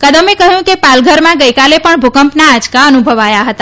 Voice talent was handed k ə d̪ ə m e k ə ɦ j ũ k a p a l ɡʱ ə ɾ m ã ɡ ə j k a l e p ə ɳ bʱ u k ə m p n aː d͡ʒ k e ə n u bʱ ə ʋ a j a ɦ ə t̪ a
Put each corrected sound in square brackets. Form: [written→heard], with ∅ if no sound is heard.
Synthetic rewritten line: k ə d̪ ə m e k ə ɦ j ũ k [a→e] p a l ɡʱ ə ɾ m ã ɡ ə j k a l e p ə ɳ bʱ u k ə m p n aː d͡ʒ k [e→a] ə n u bʱ ə ʋ a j a ɦ ə t̪ a

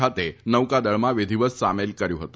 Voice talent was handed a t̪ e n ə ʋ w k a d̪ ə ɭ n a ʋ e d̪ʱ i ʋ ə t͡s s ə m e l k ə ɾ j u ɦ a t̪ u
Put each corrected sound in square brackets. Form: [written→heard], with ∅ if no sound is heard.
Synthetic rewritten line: a t̪ e n ə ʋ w k a d̪ ə ɭ [n→m] a ʋ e d̪ʱ i ʋ ə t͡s s [ə→a] m e l k ə ɾ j u ɦ [a→ə] t̪ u

